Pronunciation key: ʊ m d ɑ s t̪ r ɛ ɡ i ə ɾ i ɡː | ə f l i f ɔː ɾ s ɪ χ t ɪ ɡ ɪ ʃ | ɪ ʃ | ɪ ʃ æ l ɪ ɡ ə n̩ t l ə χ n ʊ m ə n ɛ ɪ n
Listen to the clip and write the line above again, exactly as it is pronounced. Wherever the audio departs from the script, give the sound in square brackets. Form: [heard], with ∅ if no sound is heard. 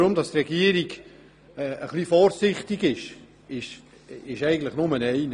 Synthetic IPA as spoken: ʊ m d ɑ s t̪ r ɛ ɡ i ə ɾ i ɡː | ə [χ] l i f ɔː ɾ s ɪ χ t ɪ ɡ ɪ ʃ | ɪ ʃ | ɪ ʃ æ [∅] ɪ ɡ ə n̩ t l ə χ n ʊ m ə n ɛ ɪ n